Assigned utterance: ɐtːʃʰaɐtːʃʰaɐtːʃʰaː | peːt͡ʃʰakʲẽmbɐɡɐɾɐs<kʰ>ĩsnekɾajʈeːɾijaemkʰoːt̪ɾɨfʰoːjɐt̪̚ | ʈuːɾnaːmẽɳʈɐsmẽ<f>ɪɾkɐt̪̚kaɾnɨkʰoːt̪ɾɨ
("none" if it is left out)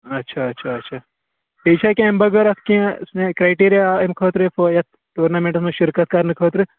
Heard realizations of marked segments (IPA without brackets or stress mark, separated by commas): k, ʃ